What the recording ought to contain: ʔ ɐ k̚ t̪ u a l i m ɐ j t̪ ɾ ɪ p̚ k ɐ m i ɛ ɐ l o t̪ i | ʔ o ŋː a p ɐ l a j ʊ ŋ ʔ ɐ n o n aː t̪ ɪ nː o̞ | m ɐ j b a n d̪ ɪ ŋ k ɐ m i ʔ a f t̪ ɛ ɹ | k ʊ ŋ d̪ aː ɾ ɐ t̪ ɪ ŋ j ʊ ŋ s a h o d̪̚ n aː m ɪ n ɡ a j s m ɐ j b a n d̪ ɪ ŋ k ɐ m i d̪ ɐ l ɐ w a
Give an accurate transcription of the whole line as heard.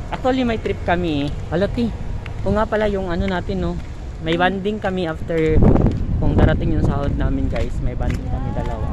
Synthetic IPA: ʔ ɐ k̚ t̪ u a l i m ɐ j t̪ ɾ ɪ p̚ k ɐ m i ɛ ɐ l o t̪ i | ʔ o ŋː a p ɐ l a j ʊ ŋ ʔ ɐ n o n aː t̪ ɪ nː o̞ | m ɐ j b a n d̪ ɪ ŋ k ɐ m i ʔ a f t̪ ɛ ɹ | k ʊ ŋ d̪ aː ɾ ɐ t̪ ɪ ŋ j ʊ ŋ s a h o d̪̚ n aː m ɪ n ɡ a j s m ɐ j b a n d̪ ɪ ŋ k ɐ m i d̪ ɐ l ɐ w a